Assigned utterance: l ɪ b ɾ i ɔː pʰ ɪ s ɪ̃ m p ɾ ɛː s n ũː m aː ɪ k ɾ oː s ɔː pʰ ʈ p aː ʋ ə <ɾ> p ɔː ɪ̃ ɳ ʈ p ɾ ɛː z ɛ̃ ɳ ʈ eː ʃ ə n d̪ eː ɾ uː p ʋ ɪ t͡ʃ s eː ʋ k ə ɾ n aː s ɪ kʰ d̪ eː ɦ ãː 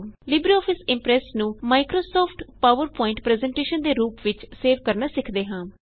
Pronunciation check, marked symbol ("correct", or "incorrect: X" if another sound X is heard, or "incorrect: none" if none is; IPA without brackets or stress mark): correct